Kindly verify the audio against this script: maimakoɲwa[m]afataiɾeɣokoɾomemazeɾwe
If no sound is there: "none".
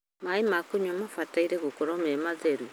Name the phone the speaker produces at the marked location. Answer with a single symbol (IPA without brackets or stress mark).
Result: m